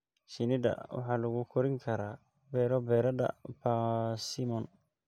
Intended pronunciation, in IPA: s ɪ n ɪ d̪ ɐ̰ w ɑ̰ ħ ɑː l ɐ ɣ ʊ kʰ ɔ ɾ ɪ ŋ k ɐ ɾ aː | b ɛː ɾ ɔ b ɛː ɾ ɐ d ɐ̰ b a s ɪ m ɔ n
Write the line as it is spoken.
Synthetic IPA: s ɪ n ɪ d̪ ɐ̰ w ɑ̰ ħ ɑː l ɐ ɣ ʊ kʰ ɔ ɾ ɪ ŋ kʰ ɐ ɾ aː | b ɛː ɾ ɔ b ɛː ɾ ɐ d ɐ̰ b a s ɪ m ɔ n